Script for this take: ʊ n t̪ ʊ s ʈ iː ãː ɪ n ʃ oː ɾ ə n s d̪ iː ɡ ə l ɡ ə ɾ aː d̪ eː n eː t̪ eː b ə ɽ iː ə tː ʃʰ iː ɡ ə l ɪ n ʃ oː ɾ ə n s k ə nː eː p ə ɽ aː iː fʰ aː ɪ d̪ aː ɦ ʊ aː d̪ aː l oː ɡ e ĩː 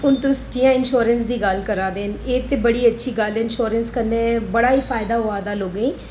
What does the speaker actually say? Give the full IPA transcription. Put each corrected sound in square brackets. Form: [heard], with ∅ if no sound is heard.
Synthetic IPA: ʊ n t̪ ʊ s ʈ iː ãː ɪ n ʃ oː ɾ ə n s d̪ iː ɡ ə l [k] ə ɾ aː d̪ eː n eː t̪ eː b ə ɽ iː ə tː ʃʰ iː ɡ ə l ɪ n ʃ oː ɾ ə n s k ə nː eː [b] ə ɽ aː iː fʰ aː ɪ d̪ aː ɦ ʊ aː d̪ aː l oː ɡ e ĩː